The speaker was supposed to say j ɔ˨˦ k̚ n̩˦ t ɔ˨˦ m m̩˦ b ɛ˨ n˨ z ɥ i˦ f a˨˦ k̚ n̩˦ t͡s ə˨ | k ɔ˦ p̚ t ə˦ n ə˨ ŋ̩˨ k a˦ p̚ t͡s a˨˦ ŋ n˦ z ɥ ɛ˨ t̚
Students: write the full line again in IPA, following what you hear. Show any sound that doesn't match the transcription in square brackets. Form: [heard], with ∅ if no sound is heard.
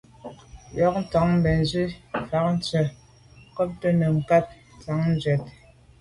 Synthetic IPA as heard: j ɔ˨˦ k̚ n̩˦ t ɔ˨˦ [ŋ] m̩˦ b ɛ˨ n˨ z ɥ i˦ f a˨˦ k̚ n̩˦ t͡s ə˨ | k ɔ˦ p̚ t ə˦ n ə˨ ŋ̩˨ k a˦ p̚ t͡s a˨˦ ŋ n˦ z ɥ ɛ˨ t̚